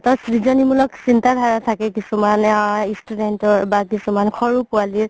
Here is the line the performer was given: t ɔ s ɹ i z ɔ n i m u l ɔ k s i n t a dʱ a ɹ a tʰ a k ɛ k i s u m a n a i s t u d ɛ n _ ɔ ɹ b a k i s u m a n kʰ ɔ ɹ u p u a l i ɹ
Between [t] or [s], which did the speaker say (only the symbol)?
t